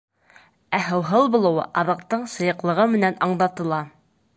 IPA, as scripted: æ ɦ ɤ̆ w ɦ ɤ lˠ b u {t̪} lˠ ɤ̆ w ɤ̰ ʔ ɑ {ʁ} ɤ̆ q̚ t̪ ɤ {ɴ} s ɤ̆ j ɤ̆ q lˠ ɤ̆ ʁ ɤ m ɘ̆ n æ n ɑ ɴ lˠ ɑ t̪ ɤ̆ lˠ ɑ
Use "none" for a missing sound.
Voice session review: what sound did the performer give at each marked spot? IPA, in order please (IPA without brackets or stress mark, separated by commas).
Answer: none, ð, ɴ